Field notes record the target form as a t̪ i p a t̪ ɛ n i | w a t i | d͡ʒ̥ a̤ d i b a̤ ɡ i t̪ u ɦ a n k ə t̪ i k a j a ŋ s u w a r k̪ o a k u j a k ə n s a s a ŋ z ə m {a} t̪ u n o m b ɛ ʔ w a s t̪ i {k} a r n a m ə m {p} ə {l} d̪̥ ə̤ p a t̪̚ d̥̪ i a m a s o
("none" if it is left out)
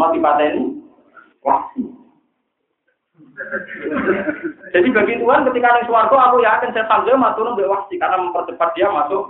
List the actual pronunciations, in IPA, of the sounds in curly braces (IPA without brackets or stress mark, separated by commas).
a, k, p, r